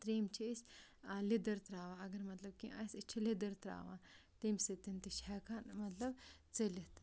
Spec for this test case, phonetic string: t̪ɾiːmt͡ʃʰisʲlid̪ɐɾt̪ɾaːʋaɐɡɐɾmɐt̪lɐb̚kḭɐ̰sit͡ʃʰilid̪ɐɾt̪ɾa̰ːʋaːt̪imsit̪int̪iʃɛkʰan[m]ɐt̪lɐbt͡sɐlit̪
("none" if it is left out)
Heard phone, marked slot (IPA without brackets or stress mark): m